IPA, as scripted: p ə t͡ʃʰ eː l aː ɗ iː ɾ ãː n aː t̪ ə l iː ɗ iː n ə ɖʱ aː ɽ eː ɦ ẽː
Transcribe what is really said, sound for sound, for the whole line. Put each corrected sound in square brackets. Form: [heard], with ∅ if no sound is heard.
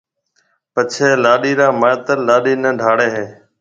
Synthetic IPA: p ə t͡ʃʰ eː l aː ɗ iː ɾ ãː [m] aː t̪ ə l [aː] ɗ iː n ə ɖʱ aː ɽ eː ɦ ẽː

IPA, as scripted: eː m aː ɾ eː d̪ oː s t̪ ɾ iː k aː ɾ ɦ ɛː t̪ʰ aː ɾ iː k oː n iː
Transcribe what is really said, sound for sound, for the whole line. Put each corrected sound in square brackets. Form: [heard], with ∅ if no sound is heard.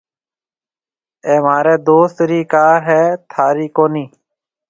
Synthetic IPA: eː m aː ɾ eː d̪ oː s t̪ ɾ iː k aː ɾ ɦ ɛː t̪ʰ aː ɾ iː k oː n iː

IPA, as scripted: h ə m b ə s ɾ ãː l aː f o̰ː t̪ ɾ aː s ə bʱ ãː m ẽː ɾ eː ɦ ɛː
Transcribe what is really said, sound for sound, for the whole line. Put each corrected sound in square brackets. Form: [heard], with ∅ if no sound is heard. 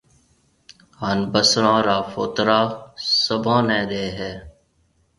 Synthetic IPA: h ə [n] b ə s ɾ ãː [ɾ] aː f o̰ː t̪ ɾ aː s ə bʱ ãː [n] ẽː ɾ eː ɦ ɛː

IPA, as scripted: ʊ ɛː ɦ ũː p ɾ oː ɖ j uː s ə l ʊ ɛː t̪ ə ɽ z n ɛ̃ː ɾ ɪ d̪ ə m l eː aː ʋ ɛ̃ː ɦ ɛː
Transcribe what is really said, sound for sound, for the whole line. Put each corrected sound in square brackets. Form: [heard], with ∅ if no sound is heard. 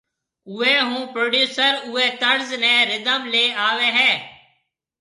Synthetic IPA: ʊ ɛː ɦ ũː p ɾ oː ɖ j uː s ə [ɾ] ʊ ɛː t̪ ə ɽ z n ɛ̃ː ɾ ɪ d̪ ə m l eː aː ʋ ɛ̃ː ɦ ɛː

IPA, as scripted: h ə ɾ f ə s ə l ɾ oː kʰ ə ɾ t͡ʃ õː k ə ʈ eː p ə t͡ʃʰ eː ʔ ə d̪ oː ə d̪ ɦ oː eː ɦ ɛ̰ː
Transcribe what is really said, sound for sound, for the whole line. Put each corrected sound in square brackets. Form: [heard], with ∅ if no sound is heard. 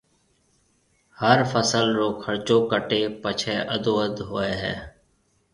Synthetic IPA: h ə ɾ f ə s ə l ɾ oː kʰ ə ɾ t͡ʃ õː k ə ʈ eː p ə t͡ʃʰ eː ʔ ə d̪ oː ə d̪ ɦ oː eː ɦ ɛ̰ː

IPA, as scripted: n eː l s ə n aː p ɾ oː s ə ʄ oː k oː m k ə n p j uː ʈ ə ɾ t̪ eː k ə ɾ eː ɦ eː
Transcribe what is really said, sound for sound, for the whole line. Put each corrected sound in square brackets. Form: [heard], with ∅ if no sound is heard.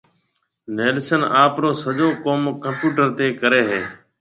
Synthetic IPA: n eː l s ə n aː p ɾ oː s ə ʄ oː k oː m k ə [m] p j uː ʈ ə ɾ t̪ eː k ə ɾ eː ɦ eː

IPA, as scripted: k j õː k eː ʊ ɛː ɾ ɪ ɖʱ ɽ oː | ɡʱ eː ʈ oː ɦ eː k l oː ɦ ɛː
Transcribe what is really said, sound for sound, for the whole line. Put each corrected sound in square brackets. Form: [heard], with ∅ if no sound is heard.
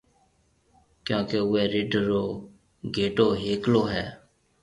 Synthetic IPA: k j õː k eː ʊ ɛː ɾ ɪ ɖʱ [ɾ] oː | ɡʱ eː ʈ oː ɦ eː k l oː ɦ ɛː

